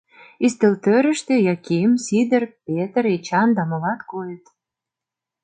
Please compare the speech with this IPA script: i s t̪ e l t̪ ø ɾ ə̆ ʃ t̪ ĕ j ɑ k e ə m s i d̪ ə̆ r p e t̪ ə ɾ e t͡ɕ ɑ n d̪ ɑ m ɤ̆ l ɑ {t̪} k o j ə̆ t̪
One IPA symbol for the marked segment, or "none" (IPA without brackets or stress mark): t̪